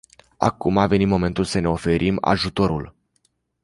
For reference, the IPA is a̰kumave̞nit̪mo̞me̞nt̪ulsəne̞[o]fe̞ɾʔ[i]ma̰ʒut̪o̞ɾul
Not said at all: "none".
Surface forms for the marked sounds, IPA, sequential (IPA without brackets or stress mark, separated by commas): o, i